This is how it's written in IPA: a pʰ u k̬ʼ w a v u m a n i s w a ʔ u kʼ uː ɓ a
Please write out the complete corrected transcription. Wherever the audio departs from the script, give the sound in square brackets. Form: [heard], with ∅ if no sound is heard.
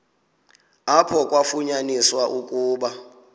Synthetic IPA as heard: a pʰ [ɔ] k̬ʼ w a [f] u [ɲ] a n i s w a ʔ u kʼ uː ɓ a

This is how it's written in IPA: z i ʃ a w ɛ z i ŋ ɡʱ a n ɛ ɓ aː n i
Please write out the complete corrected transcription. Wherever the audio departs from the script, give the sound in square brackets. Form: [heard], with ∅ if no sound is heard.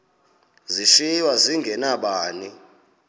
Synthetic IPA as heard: z i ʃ [i] w [a] z i ŋ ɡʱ [ɛ] n [a] ɓ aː n i

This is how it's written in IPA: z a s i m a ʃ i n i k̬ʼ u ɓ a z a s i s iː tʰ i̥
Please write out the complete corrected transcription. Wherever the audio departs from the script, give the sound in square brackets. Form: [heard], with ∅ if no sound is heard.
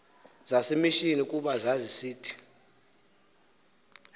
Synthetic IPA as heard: z a s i m [i] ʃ i n i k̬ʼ u ɓ a z a [z] i s iː tʰ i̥

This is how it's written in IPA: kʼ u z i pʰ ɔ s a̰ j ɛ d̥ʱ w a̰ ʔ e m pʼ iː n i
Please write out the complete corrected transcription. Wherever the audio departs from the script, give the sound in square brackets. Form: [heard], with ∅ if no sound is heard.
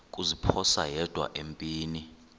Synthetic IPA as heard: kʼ u z i pʰ ɔ s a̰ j ɛ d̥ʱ w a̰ ʔ e m pʼ iː n i

